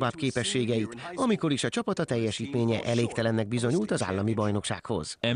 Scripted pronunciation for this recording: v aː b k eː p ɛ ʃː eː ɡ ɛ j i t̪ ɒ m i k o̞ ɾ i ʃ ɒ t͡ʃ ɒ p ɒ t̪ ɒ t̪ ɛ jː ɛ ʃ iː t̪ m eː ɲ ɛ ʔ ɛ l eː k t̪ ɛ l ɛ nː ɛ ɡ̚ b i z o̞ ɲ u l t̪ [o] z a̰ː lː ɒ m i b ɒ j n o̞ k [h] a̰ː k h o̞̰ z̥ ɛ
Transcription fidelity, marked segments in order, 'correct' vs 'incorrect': incorrect: ɒ, incorrect: ʃ

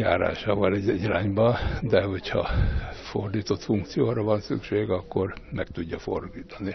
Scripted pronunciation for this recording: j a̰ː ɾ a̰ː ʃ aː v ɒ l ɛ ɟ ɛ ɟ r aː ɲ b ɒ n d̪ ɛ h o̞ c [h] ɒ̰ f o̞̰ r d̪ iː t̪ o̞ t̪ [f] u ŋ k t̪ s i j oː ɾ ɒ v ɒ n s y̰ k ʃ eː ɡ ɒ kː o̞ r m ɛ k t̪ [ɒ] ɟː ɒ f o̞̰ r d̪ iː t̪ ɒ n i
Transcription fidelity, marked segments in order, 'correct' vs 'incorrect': correct, correct, incorrect: u

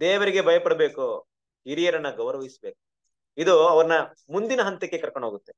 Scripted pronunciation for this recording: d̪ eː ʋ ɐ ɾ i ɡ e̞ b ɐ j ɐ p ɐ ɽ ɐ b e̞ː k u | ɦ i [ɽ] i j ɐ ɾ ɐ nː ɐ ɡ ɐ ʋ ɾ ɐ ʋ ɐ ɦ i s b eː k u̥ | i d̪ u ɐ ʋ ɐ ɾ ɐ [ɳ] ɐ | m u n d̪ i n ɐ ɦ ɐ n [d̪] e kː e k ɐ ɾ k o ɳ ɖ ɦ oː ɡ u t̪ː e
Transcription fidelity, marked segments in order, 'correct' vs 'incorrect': incorrect: ɾ, incorrect: n, incorrect: t̪

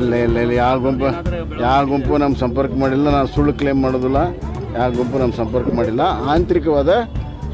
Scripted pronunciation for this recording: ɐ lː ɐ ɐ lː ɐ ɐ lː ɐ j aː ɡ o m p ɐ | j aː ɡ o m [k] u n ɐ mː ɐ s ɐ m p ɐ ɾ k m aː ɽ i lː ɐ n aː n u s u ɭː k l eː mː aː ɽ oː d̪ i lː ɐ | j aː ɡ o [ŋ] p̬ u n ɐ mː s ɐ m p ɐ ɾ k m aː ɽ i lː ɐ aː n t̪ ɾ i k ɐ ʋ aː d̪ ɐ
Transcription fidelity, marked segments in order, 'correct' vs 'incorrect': incorrect: p, incorrect: m

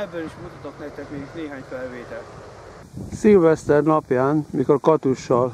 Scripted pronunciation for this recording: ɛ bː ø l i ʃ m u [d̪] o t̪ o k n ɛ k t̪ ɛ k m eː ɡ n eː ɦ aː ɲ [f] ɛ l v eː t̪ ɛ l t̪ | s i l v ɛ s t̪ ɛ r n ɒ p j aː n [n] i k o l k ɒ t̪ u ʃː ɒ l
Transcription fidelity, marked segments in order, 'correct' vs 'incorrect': incorrect: t̪, correct, incorrect: m

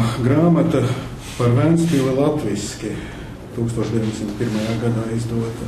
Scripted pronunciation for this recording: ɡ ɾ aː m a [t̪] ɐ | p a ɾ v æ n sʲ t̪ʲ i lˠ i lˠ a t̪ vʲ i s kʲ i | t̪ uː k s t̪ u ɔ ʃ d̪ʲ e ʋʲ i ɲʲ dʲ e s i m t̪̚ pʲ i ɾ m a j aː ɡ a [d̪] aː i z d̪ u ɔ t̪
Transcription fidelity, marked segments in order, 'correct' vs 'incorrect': correct, correct

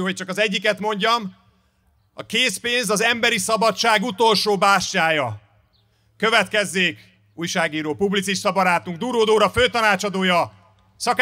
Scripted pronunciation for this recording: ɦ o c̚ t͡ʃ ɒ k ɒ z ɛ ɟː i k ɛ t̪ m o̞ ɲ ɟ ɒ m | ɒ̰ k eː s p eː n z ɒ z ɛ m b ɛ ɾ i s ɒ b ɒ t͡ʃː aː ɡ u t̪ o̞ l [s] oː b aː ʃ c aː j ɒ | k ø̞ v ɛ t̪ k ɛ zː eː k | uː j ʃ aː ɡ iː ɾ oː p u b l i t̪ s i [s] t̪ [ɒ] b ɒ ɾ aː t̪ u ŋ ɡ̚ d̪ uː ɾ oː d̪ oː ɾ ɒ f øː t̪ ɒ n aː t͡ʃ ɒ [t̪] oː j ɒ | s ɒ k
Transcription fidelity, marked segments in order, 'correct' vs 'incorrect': incorrect: ʃ, incorrect: ʃ, correct, incorrect: d̪

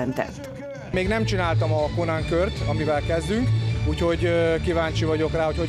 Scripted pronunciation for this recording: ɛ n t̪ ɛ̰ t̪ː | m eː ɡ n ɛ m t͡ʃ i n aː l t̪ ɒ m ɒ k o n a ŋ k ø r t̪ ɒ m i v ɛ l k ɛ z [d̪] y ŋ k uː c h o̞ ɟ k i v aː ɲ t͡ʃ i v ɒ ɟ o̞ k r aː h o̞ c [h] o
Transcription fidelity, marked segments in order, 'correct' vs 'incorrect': correct, correct

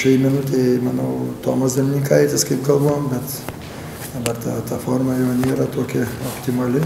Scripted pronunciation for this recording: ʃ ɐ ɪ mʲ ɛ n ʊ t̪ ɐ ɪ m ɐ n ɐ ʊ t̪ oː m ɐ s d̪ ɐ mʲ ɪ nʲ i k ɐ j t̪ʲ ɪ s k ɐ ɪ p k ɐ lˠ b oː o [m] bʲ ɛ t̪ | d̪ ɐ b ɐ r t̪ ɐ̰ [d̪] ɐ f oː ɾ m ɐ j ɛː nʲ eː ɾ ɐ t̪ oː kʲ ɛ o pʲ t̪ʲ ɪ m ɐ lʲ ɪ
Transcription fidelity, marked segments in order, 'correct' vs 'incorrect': correct, incorrect: t̪

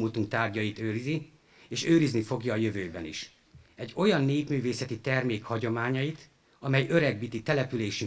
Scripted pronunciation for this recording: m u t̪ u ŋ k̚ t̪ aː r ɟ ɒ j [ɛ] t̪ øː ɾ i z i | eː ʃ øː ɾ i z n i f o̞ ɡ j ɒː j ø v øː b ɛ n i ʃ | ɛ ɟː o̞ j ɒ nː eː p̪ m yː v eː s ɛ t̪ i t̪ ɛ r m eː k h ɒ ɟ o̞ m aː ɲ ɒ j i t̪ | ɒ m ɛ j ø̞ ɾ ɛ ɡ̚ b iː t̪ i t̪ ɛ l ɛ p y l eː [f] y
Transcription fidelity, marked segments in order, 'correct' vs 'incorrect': incorrect: i, incorrect: ʃ

